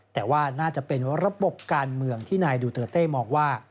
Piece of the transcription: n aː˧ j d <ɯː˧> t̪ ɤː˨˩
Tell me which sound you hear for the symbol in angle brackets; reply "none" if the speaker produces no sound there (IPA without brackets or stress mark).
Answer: uː˧